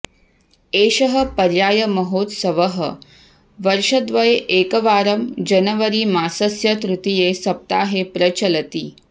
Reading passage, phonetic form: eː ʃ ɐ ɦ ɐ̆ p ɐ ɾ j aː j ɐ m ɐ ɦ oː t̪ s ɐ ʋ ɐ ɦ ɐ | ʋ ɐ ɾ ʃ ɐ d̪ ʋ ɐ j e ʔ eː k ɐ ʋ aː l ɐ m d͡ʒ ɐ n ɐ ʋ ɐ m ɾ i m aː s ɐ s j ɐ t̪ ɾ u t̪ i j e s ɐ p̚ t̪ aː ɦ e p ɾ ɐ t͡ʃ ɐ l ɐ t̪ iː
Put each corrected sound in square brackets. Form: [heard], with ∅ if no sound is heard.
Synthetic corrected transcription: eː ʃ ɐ ɦ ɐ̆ p ɐ ɾ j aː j ɐ m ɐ ɦ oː t̪ s ɐ ʋ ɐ ɦ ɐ | ʋ ɐ ɾ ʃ ɐ d̪ ʋ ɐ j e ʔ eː k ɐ ʋ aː [ɾ] ɐ m d͡ʒ ɐ n ɐ ʋ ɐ [∅] ɾ i m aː s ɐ s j ɐ t̪ ɾ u t̪ i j e s ɐ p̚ t̪ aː ɦ e p ɾ ɐ t͡ʃ ɐ l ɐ t̪ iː